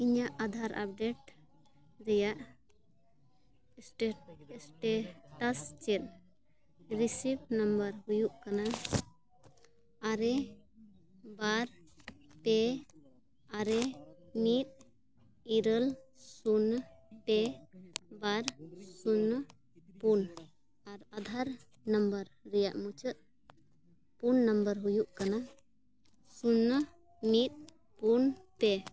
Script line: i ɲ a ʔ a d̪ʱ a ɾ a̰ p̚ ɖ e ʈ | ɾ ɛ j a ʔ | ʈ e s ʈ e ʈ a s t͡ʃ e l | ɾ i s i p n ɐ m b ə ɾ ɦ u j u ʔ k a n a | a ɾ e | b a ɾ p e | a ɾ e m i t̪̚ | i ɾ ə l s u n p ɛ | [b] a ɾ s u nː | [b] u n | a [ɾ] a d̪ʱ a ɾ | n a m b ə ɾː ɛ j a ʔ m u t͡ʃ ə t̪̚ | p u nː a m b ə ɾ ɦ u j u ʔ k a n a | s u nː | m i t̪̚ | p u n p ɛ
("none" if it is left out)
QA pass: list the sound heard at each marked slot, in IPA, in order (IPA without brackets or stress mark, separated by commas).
b, p, ɾ